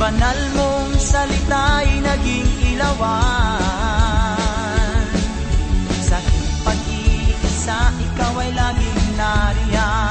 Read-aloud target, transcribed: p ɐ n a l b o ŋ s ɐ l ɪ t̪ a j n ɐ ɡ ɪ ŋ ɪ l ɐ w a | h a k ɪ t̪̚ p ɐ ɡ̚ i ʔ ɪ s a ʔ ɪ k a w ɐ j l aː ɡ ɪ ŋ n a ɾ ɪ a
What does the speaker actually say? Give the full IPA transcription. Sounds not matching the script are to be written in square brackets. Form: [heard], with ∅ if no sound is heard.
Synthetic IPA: [b] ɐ n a l [m] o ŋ s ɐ l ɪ t̪ a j n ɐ ɡ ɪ ŋ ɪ l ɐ w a | [s] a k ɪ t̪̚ p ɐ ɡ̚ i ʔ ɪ s a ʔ ɪ k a w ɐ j l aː ɡ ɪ ŋ n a ɾ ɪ a